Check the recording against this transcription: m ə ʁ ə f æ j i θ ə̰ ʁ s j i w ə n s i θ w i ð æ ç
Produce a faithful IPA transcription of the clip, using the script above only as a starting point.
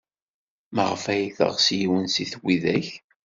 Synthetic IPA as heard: m ə ʁ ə f æ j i θ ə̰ ʁ s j i w ə n s i θ w i ð æ ç